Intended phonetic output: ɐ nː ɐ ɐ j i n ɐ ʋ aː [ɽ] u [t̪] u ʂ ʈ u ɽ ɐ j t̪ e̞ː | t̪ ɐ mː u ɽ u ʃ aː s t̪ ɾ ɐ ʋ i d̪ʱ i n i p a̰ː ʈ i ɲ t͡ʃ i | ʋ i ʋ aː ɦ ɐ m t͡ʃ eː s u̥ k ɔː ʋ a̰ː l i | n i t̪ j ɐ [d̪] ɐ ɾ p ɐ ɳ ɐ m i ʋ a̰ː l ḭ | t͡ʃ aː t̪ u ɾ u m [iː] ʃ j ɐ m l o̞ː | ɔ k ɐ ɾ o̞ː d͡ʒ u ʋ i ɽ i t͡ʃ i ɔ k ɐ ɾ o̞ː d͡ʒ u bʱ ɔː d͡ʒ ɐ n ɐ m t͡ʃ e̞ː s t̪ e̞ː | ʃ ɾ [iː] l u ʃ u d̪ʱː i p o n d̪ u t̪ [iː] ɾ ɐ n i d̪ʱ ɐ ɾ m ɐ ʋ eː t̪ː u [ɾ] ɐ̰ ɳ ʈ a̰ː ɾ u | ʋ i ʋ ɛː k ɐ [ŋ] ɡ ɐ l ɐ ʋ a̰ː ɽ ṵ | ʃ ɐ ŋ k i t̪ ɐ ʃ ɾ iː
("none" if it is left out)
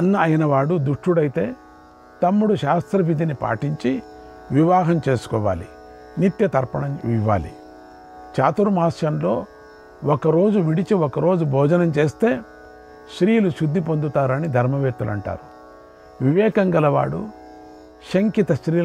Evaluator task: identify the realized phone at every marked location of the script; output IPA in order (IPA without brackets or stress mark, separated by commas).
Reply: ɽ, d̪, t̪, aː, iː, aː, l, ŋ